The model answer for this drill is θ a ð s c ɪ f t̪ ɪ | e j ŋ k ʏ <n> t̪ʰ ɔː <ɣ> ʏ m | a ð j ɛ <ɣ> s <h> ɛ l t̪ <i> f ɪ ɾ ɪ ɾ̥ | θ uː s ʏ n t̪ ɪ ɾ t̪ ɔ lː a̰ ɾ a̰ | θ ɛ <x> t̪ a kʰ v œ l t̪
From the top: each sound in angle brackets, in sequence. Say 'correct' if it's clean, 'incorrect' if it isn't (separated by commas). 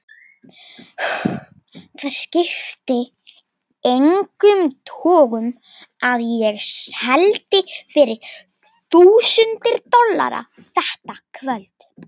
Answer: incorrect, correct, correct, correct, incorrect, incorrect